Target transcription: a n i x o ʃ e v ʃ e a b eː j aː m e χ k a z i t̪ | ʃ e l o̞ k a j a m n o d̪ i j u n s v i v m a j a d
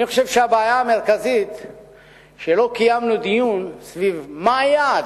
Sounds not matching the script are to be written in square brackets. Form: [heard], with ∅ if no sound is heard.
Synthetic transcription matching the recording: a n i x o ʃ e v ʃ e a b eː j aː m e [ʁ] k a z i t̪ | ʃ e l o̞ k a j a m n [u] d̪ i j u n s v i v m a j a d